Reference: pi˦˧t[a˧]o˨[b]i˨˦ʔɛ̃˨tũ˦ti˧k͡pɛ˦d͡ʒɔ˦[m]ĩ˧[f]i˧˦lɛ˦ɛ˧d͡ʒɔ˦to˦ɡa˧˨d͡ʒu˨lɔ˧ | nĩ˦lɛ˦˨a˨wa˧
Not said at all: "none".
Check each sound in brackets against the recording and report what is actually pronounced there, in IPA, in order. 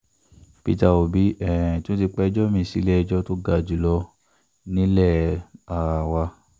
a˧, b, m, s

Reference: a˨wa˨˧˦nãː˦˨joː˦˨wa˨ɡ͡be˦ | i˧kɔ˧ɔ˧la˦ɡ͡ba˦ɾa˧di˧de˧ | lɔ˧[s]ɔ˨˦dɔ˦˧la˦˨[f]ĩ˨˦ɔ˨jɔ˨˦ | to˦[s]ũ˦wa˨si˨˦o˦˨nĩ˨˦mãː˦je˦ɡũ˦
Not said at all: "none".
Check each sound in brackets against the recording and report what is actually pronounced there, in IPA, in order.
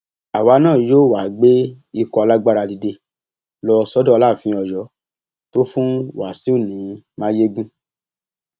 s, f, f

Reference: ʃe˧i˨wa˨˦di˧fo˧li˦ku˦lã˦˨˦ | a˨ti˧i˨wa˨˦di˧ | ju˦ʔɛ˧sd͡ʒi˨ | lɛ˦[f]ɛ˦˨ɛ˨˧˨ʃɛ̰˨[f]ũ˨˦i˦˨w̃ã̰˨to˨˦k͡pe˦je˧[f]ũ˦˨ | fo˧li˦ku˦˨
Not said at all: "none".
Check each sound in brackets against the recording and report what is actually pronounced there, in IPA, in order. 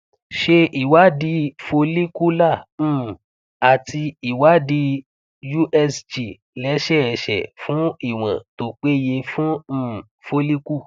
ʃ, f, f

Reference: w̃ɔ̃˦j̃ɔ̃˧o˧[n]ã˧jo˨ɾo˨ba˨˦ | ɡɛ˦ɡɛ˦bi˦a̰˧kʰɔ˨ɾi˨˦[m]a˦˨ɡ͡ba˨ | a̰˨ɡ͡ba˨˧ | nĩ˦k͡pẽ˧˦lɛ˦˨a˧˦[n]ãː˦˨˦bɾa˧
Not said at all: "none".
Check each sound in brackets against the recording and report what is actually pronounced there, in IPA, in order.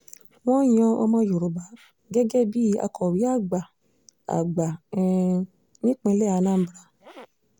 m, none, n

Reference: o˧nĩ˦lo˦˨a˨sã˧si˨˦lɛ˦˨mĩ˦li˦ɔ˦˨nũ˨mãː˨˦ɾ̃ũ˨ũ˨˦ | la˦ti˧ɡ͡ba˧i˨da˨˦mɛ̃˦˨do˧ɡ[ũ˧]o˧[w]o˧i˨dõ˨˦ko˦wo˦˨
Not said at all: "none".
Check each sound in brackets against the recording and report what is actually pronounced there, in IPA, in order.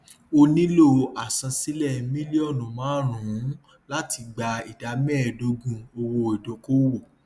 ũ˧, w

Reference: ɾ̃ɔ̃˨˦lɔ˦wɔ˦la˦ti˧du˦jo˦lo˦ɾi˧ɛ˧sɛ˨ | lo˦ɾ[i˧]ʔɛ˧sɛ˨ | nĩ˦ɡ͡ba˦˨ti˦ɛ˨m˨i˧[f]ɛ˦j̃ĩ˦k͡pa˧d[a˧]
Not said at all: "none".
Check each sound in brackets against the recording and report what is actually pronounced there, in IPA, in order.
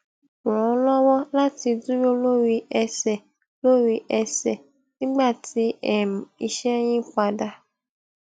i˧, ʃ, a˧

